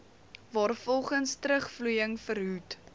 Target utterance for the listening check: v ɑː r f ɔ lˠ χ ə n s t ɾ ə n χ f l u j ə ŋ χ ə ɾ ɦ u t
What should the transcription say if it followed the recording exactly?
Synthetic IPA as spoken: v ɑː r f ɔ lˠ χ ə n s t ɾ ə χ f l u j ə ŋ f ə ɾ ɦ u t